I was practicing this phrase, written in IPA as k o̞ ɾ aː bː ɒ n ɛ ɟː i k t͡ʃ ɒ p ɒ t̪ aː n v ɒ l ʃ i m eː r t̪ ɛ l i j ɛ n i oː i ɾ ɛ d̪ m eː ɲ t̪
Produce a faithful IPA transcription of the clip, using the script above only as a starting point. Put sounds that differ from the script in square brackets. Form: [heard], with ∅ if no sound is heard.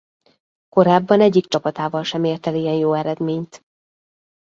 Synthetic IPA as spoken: k o̞ ɾ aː bː ɒ n ɛ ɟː i k t͡ʃ ɒ p ɒ t̪ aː [∅] v ɒ l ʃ [ɛ] m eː r t̪ ɛ l i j ɛ n [j] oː [ɛ] ɾ ɛ d̪ m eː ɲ t̪